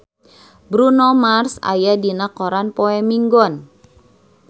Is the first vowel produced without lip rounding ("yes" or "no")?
no